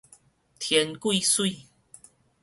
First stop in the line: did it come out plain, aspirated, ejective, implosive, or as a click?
aspirated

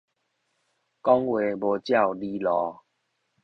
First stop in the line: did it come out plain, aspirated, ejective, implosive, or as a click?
plain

